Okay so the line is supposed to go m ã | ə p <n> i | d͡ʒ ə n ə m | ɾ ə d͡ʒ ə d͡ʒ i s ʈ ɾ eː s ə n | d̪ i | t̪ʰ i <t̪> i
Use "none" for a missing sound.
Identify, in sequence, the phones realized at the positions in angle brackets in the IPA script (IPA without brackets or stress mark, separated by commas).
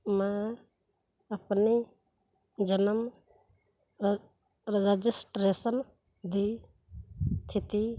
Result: n, t̪